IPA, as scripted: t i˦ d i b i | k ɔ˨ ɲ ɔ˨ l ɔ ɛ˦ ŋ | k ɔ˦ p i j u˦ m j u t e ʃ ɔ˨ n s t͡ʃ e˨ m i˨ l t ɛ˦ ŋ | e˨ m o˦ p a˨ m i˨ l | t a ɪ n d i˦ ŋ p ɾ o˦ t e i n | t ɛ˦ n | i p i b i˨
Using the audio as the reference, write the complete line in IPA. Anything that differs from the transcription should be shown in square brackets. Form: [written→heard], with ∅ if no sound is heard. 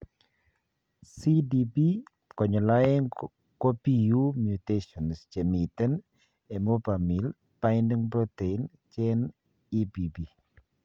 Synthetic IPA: [t→s] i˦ d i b i | k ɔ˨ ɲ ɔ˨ l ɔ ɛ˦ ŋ | k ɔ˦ p i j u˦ m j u t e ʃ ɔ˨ n s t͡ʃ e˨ m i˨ [l→∅] t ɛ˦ [ŋ→n] | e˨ m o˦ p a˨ m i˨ l | [t→p] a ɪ n d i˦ ŋ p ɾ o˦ t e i n | [t→t͡ʃ] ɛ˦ n | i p i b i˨